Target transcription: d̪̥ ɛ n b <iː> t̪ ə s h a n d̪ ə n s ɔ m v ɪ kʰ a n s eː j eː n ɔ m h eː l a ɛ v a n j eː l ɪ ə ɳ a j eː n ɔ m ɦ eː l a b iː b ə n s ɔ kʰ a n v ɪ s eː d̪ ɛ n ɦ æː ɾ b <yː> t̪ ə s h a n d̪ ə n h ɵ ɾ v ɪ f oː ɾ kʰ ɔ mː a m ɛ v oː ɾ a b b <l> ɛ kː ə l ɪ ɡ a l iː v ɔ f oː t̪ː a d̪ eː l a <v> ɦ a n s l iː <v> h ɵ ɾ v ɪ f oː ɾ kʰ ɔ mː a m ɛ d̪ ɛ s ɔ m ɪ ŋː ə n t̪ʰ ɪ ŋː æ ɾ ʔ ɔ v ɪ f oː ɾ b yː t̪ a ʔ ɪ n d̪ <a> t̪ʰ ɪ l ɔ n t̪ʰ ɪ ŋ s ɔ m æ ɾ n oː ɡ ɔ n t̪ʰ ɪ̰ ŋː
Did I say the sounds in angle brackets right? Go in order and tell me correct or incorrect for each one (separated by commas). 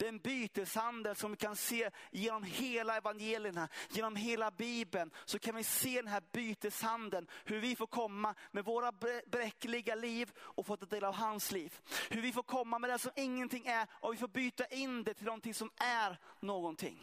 incorrect, correct, incorrect, correct, correct, incorrect